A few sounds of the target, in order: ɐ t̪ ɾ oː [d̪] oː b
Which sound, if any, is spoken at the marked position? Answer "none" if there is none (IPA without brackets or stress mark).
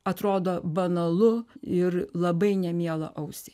d̪